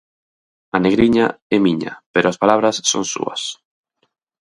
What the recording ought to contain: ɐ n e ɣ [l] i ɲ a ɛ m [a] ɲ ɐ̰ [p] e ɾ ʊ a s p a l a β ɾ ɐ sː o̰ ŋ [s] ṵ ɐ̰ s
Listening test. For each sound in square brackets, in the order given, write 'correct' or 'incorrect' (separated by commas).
incorrect, incorrect, correct, correct